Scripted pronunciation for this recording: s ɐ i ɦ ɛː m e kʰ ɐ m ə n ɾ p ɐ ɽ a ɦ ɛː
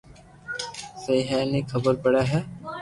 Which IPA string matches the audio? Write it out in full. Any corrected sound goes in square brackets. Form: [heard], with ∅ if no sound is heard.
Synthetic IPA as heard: s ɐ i ɦ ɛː [n] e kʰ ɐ [b] ə [∅] ɾ p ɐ ɽ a ɦ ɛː